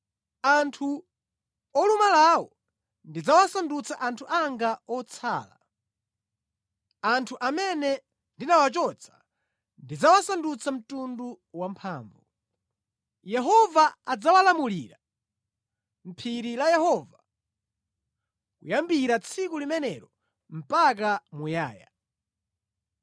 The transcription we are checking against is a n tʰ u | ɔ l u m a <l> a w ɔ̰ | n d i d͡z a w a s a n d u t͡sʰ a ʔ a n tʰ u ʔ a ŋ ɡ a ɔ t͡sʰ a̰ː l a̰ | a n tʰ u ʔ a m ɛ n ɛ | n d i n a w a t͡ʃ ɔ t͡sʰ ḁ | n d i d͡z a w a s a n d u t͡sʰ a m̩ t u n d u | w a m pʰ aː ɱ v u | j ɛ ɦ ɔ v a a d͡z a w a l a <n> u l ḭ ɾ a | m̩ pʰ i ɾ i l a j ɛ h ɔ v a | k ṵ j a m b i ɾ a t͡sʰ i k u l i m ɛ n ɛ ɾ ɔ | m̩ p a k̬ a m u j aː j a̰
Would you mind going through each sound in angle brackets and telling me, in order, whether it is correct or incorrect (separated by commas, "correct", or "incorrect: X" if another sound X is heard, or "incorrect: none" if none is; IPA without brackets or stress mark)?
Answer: correct, incorrect: m